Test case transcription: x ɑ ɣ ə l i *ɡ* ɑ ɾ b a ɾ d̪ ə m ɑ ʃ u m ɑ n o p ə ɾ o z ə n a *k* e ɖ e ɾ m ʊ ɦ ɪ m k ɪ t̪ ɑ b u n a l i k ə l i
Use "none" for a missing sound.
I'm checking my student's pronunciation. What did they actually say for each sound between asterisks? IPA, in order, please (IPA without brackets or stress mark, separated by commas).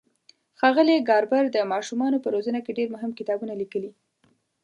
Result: ɡ, k